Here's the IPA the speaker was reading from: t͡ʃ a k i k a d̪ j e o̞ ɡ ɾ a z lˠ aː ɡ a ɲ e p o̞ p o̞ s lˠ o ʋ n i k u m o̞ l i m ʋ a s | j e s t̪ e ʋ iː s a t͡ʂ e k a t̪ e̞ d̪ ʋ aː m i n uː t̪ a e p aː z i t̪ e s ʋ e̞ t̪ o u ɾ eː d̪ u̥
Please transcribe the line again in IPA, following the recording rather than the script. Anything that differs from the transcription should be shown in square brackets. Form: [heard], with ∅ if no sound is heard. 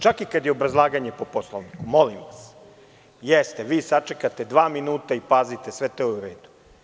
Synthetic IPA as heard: t͡ʃ a k i k a d̪ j e o̞ [b] ɾ a z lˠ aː ɡ a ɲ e p o̞ p o̞ s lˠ o ʋ n i k u m o̞ l i m ʋ a s | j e s t̪ e ʋ iː s a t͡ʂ e k a t̪ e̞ d̪ ʋ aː m i n uː t̪ a [i] p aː z i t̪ e s ʋ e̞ t̪ o u ɾ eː d̪ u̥